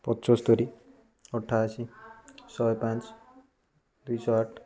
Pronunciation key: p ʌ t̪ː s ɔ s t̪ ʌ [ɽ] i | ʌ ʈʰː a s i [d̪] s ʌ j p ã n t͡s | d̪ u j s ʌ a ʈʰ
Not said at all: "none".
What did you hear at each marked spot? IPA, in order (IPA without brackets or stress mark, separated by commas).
ɾ, none